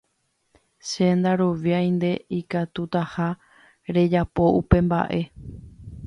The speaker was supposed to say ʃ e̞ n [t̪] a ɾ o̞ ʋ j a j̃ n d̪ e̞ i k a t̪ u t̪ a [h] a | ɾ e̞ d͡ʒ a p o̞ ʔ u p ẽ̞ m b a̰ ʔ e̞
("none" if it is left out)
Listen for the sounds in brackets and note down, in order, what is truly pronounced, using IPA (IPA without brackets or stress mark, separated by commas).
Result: d̪, h